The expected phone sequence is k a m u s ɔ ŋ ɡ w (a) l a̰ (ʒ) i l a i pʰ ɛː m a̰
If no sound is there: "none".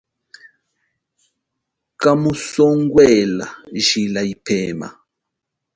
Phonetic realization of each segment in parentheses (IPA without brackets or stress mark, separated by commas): ɛ, ʒ